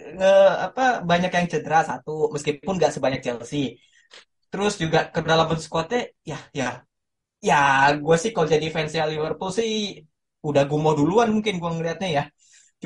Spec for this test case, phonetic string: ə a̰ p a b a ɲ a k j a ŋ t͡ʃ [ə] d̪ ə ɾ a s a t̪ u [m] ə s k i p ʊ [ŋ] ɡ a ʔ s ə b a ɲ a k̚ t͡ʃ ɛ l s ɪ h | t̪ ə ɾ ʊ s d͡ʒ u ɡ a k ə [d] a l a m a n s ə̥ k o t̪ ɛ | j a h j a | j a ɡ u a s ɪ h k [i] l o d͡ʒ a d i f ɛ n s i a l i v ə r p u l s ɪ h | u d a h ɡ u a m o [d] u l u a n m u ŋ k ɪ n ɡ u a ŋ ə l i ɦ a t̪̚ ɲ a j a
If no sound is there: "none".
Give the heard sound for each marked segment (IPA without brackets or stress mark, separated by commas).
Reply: ə, m, n, d, a, d